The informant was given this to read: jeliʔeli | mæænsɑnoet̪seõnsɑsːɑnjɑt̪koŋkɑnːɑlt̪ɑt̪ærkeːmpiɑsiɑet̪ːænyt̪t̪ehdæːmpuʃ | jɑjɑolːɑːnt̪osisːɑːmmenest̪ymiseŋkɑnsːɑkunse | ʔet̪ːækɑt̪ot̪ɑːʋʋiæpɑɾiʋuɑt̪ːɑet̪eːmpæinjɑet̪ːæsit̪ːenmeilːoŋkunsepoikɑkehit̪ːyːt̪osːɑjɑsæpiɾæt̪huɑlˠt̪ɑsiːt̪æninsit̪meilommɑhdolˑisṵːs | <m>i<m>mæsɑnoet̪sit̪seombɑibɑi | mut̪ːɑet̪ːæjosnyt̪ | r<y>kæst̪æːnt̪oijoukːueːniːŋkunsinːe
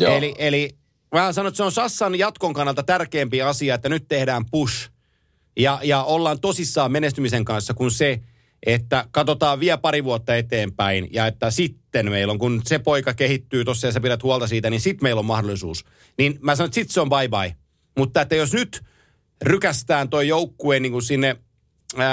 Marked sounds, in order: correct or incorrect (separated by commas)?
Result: incorrect, incorrect, correct